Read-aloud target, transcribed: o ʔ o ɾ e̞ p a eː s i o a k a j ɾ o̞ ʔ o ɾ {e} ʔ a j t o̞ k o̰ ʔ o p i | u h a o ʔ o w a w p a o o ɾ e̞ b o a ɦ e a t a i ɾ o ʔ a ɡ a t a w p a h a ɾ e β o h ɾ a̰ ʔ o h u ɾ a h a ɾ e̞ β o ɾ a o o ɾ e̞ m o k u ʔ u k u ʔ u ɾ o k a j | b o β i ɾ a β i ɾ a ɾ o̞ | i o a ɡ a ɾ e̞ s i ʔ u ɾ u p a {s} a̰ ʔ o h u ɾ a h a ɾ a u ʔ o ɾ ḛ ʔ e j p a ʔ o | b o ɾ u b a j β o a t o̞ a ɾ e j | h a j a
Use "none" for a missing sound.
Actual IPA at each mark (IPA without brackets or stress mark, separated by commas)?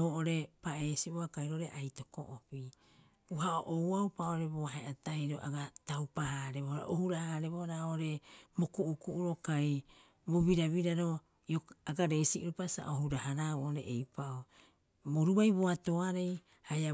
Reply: e, s